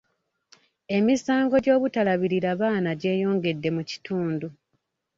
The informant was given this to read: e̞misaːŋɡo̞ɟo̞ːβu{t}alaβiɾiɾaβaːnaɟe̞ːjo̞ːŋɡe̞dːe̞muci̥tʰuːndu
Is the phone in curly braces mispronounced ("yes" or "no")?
no